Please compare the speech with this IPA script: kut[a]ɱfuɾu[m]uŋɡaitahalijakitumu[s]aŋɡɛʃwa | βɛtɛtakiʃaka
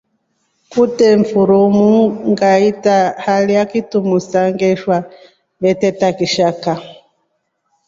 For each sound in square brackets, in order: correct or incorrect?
incorrect, correct, correct

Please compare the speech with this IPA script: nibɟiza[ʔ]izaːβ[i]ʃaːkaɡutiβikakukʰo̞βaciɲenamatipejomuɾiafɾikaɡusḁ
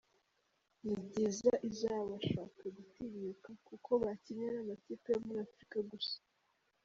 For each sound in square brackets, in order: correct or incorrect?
correct, incorrect

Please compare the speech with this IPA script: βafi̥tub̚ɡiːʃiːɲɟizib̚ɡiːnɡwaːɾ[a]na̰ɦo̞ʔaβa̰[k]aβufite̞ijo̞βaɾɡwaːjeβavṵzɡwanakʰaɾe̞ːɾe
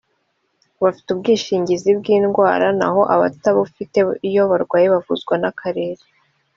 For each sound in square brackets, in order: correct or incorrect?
correct, incorrect

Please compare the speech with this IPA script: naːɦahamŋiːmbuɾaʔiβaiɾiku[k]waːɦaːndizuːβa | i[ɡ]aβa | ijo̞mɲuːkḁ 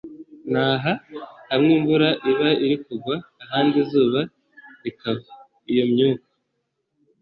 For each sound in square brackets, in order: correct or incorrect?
incorrect, incorrect

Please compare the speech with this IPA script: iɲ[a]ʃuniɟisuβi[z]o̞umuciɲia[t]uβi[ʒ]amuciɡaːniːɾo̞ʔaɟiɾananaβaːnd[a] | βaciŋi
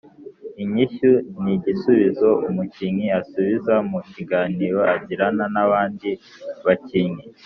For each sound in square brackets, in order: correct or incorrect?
incorrect, correct, incorrect, incorrect, incorrect

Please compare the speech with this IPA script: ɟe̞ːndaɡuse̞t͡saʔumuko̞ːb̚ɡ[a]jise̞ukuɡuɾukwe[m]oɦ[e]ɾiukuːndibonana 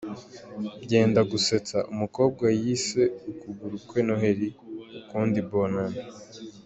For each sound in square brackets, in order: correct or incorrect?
correct, incorrect, correct

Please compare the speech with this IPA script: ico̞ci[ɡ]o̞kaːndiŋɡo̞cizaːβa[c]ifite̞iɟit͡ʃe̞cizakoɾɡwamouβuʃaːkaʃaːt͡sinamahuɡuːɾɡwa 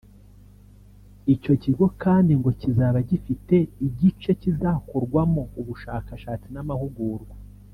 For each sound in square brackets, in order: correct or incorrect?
correct, incorrect

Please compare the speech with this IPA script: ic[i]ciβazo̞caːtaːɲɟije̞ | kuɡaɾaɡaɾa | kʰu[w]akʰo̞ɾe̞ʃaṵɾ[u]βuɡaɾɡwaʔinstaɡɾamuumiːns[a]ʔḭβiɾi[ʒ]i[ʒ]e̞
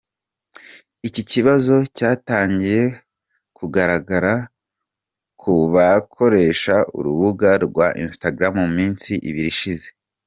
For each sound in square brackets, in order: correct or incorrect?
correct, incorrect, correct, incorrect, incorrect, incorrect

